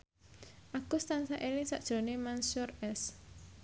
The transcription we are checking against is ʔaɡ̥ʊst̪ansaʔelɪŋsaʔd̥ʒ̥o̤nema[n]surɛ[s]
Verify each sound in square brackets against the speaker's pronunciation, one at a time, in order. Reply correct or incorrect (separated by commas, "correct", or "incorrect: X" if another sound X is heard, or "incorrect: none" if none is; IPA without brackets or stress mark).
correct, correct